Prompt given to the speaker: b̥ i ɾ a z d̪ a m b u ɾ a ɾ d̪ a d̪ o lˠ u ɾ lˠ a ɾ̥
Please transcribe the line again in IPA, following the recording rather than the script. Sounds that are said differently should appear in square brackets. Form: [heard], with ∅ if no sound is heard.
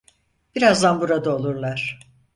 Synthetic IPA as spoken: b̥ i ɾ a z d̪ a [n] b u ɾ a [∅] d̪ a [∅] o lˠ u ɾ lˠ a ɾ̥